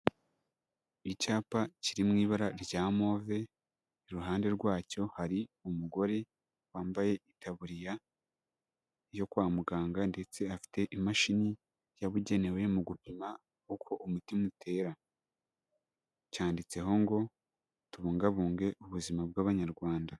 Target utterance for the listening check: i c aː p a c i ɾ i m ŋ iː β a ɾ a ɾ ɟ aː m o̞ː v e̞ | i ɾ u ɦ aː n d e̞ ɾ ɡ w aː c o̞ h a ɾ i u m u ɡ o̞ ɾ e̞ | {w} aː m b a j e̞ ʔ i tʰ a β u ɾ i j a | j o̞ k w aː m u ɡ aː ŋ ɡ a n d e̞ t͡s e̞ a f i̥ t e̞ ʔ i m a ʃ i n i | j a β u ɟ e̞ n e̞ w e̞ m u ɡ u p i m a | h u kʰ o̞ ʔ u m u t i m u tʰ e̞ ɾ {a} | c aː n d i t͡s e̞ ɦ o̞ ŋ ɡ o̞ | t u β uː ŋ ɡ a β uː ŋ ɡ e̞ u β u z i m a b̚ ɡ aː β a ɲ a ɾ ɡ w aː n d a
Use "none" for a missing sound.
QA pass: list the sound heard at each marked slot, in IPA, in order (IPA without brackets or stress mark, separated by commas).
w, a